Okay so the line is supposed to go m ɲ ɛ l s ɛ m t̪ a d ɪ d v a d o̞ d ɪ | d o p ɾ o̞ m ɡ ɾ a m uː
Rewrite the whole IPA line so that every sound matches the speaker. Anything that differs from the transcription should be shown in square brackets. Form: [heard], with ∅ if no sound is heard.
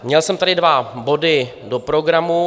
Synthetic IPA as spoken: m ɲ ɛ l s ɛ m t̪ a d ɪ d v a [b] o̞ d ɪ | d o p ɾ o̞ [∅] ɡ ɾ a m [u]